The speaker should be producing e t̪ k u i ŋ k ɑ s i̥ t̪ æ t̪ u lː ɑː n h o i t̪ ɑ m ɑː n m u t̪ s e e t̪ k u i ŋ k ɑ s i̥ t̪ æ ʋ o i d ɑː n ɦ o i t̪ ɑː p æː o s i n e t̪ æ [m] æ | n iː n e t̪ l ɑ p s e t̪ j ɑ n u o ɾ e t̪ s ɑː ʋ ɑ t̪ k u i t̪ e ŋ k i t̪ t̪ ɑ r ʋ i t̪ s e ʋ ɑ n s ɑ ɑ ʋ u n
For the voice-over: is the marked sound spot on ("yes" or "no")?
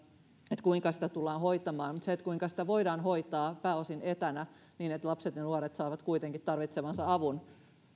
no